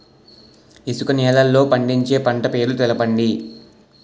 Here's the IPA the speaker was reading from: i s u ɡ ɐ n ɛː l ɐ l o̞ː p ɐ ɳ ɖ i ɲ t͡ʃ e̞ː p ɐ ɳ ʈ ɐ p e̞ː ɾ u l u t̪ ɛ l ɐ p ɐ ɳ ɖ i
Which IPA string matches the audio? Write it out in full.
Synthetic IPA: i s u k ɐ n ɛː l ɐ lː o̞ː p ɐ ɳ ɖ i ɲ t͡ʃ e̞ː p ɐ ɳ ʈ ɐ p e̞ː ɾ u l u t̪ ɛ l ɐ p ɐ ɳ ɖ i